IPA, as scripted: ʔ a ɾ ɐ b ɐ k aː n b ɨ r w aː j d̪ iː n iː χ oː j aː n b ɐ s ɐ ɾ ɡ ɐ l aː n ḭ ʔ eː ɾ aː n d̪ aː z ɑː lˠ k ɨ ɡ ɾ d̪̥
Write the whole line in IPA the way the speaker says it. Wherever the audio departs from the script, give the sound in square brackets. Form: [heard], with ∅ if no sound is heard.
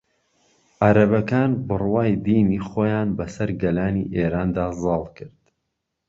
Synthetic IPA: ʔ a ɾ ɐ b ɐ k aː n b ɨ r w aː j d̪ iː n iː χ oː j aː n b ɐ s ɐ ɾ ɡ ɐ l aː n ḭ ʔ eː ɾ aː n d̪ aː z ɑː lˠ k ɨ [∅] ɾ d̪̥